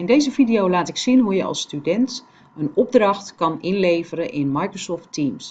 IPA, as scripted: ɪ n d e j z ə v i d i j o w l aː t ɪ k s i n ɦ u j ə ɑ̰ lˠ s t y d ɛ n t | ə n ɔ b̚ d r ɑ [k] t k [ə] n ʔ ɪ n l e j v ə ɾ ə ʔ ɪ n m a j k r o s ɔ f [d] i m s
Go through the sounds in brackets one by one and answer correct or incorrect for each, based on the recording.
incorrect: x, incorrect: ɑ, incorrect: t

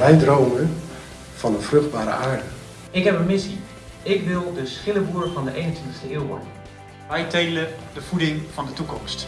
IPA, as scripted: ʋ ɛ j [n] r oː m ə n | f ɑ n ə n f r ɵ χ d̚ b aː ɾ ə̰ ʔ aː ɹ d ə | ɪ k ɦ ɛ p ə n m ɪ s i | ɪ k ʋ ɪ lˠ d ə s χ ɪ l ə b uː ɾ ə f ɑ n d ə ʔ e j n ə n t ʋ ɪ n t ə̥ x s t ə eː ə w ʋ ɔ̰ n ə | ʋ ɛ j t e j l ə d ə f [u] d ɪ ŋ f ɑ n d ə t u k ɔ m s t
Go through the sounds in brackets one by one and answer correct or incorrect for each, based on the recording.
incorrect: d, correct

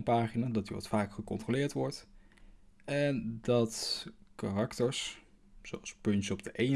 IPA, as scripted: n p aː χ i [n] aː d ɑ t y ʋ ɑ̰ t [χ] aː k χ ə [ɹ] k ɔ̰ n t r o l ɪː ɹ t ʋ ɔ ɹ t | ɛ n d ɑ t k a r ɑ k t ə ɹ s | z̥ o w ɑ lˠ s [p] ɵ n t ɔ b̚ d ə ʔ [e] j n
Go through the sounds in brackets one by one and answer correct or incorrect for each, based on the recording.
correct, incorrect: f, incorrect: none, correct, correct

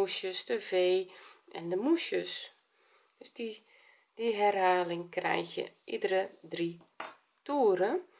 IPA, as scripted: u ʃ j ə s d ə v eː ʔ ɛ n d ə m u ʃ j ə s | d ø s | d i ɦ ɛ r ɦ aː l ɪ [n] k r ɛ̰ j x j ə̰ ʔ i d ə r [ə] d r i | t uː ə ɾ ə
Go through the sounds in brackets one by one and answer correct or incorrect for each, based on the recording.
incorrect: ŋ, correct

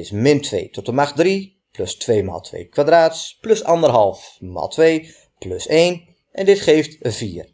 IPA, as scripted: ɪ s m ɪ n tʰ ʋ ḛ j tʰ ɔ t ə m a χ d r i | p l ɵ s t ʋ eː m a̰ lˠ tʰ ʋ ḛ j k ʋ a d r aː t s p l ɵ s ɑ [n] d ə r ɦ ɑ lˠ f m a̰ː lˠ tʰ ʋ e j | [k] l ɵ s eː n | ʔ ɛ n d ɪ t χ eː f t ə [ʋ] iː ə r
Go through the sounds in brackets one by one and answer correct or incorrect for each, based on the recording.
correct, incorrect: p, incorrect: v

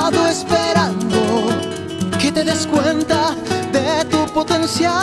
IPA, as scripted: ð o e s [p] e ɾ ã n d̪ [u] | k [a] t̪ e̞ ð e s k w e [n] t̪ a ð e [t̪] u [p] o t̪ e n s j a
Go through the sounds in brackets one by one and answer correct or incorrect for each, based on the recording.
correct, incorrect: o, incorrect: e, correct, correct, correct

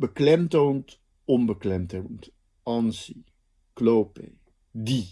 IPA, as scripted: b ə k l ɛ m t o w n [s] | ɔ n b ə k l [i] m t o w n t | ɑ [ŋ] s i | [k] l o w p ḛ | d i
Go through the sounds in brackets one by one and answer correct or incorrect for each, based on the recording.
incorrect: t, incorrect: ɛ, incorrect: n, correct

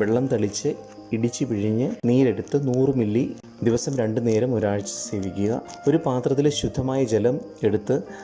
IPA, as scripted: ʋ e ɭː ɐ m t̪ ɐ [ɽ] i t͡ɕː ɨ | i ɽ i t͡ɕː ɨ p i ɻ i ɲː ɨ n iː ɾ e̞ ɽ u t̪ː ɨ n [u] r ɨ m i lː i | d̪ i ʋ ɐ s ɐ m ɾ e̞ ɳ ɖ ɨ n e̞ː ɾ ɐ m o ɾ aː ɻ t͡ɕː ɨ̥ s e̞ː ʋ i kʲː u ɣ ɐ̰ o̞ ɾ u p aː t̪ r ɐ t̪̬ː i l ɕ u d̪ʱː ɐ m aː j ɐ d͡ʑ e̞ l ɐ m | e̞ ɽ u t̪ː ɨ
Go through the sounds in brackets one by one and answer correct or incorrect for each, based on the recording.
incorrect: ɭ, incorrect: uː

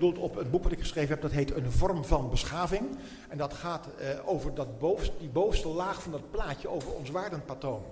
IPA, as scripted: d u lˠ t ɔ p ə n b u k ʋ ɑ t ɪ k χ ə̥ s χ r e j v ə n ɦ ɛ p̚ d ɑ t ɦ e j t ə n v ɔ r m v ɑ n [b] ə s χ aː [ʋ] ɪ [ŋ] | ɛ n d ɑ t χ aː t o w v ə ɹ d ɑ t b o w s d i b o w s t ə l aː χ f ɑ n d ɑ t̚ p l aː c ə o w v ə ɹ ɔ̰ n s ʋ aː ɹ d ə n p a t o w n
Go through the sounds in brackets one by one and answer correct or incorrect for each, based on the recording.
correct, incorrect: v, correct

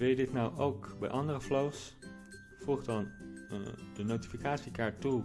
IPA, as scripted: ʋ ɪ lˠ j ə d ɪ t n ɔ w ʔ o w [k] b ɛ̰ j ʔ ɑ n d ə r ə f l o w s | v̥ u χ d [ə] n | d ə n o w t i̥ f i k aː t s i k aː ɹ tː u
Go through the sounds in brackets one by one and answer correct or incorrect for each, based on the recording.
correct, incorrect: ɑ

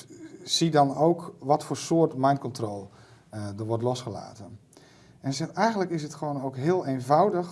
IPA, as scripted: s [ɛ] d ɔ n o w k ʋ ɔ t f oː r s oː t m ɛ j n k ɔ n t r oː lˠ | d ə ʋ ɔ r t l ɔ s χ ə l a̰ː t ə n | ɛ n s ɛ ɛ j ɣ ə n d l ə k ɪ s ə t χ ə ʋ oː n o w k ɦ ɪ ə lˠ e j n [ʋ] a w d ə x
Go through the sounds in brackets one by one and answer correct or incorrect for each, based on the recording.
incorrect: i, incorrect: v

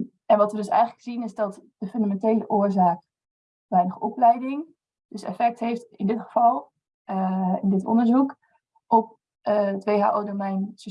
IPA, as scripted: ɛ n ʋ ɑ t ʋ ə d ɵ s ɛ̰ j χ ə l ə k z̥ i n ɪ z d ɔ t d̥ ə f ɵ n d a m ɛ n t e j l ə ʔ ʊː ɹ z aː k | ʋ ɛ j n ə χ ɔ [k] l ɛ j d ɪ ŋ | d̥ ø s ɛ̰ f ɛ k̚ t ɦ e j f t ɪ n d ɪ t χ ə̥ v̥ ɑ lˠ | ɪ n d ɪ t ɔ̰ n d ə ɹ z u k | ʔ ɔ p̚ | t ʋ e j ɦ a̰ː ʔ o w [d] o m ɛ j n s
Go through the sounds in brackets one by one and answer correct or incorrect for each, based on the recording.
incorrect: p, correct

